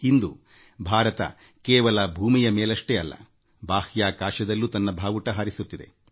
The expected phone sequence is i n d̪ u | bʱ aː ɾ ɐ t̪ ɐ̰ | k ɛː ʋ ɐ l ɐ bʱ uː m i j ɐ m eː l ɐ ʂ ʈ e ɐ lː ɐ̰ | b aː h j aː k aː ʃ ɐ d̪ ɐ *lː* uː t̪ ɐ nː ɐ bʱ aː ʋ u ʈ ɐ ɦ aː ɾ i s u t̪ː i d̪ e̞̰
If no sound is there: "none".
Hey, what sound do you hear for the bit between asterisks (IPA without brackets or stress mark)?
lː